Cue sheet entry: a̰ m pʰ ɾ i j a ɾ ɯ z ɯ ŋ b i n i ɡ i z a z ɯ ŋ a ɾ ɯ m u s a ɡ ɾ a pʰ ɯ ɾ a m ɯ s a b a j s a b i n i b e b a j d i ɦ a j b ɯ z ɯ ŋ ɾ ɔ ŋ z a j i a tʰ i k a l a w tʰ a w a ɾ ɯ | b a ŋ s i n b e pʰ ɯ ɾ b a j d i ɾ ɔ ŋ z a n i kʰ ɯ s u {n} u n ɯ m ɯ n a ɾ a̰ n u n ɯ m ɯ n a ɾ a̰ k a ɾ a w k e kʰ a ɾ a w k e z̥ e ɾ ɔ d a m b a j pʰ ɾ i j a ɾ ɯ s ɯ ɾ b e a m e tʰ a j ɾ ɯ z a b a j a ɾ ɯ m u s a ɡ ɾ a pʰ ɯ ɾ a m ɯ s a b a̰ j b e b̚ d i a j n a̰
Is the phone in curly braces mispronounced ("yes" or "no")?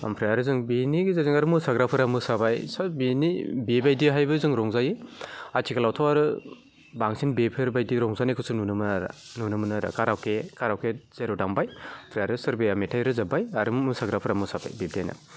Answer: no